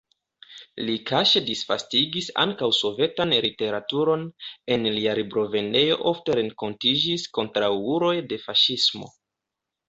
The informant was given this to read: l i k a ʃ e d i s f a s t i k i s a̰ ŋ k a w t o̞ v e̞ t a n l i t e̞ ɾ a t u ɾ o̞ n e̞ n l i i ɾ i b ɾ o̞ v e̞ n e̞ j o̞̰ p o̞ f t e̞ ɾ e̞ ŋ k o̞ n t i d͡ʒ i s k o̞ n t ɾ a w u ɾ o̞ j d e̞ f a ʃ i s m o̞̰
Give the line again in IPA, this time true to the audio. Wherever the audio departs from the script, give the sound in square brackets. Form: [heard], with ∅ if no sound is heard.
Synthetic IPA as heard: l i k a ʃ e d i s f a s t i [ɡ] i s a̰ ŋ k a w [s] o̞ v e̞ t a n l i t e̞ ɾ a t u ɾ o̞ n e̞ n l i [a] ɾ i b ɾ o̞ v e̞ n e̞ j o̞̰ [ʔ] o̞ f t e̞ ɾ e̞ ŋ k o̞ n t i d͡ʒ i s k o̞ n t ɾ a w u ɾ o̞ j d e̞ f a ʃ i s m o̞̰